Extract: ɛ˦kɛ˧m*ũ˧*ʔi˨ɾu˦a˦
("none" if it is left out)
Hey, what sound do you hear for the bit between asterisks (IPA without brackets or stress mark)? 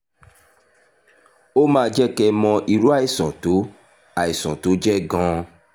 ɔ̃˧